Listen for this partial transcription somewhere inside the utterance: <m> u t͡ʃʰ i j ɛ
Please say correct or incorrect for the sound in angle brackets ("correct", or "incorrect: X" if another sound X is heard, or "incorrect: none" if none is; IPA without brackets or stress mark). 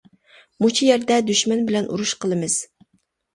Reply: correct